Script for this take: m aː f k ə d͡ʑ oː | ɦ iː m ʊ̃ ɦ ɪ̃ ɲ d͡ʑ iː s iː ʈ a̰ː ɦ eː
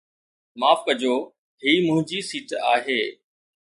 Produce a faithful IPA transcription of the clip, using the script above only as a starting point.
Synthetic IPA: m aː f k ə d͡ʑ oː | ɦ iː m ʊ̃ ɦ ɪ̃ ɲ d͡ʑ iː s iː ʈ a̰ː ɦ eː

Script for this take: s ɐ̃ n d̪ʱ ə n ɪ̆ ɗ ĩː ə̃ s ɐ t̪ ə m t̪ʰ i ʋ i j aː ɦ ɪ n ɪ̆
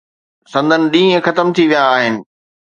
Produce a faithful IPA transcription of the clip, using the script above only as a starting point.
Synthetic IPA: s ɐ̃ n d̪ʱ ə n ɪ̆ ɗ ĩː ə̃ x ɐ t̪ ə m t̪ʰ i ʋ i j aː ɦ ɪ n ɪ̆

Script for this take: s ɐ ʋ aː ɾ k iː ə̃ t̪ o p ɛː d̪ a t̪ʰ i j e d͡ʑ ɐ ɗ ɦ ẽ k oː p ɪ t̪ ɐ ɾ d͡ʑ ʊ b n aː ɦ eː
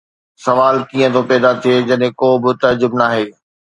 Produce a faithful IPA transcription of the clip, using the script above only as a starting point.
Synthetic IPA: s ɐ ʋ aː l k iː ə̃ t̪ o p ɛː d̪ a t̪ʰ i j e d͡ʑ ɐ ɗ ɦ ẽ k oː b ɪ t̪ ɐ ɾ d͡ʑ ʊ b n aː ɦ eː

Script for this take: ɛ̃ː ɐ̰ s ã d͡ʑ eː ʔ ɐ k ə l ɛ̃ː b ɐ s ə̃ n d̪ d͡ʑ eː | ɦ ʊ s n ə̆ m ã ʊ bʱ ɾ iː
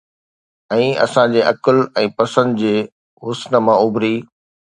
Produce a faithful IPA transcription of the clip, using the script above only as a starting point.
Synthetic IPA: ɛ̃ː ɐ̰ s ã d͡ʑ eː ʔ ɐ k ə l ɛ̃ː p ɐ s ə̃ n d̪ d͡ʑ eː | ɦ ʊ s n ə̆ m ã ʊ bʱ ɾ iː

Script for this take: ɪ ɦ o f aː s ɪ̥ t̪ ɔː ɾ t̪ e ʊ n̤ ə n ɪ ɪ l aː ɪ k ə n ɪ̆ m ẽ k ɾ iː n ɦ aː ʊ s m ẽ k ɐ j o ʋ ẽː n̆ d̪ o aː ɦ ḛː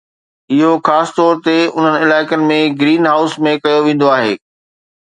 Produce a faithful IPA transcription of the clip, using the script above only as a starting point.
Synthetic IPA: ɪ ɦ o x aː s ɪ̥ t̪ ɔː ɾ t̪ e ʊ n̤ ə n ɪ ɪ l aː ɪ k ə n ɪ̆ m ẽ ɡ ɾ iː n ɦ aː ʊ s m ẽ k ɐ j o ʋ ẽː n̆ d̪ o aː ɦ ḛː

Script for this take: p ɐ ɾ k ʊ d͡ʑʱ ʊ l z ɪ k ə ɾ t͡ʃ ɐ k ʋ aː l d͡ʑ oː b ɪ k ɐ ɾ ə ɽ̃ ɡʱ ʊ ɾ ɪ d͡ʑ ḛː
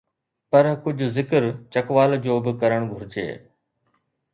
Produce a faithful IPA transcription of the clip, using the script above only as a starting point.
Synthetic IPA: p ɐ ɾ k ʊ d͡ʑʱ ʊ z ɪ k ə ɾ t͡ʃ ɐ k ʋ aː l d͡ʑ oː b ɪ k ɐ ɾ ə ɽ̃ ɡʱ ʊ ɾ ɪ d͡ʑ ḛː

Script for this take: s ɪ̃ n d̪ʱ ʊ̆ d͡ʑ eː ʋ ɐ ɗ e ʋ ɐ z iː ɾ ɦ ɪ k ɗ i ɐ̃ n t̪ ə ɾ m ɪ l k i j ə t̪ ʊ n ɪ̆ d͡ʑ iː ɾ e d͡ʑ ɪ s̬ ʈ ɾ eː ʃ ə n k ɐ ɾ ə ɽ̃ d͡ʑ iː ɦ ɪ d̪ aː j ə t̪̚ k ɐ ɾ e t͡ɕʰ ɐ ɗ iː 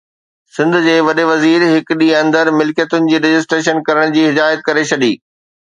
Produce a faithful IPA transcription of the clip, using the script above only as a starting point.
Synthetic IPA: s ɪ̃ n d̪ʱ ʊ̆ d͡ʑ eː ʋ ɐ ɗ e ʋ ɐ z iː ɾ ɦ ɪ k ɗ i ɐ̃ n d̪ ə ɾ m ɪ l k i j ə t̪ ʊ n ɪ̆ d͡ʑ iː ɾ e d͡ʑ ɪ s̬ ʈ ɾ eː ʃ ə n k ɐ ɾ ə ɽ̃ d͡ʑ iː ɦ ɪ d̪ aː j ə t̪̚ k ɐ ɾ e t͡ɕʰ ɐ ɗ iː

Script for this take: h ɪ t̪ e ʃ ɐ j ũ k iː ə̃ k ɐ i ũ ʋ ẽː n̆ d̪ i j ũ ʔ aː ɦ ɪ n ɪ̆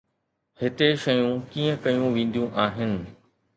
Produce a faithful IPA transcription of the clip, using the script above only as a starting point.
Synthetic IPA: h ɪ t̪ e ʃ ɐ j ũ k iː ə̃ k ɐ j ũ ʋ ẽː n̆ d̪ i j ũ ʔ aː ɦ ɪ n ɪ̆

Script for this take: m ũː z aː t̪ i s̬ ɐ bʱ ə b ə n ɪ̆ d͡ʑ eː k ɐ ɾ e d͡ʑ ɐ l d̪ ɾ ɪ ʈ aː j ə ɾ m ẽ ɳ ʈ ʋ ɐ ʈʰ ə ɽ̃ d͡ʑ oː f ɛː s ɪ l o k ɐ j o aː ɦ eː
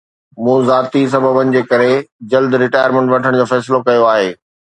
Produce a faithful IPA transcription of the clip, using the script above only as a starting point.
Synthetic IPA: m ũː z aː t̪ i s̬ ɐ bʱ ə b ə n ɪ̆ d͡ʑ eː k ɐ ɾ e d͡ʑ ɐ l d̪ ɾ ɪ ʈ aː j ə ɾ m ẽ ɳ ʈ ʋ ɐ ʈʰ ə ɽ̃ d͡ʑ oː f ɛː s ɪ l o k ɐ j o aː ɦ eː

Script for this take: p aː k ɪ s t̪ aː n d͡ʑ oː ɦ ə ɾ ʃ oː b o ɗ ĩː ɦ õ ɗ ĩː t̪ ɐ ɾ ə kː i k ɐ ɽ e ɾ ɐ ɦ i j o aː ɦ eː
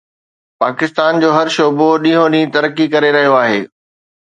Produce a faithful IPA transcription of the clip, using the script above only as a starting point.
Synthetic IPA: p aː k ɪ s t̪ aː n d͡ʑ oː ɦ ɐ ɾ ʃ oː b o ɗ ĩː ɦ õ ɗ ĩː t̪ ɐ ɾ ə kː i k ɐ ɾ e ɾ ɐ ɦ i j o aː ɦ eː

